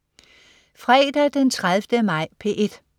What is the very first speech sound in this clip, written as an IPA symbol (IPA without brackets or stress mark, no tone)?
f